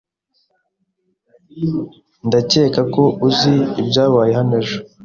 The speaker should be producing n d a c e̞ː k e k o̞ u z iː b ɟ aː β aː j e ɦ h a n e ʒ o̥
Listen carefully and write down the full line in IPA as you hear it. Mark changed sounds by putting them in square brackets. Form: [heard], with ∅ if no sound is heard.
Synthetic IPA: n d a c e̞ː k [a] k o̞ u z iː b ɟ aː β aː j e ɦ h a n e ʒ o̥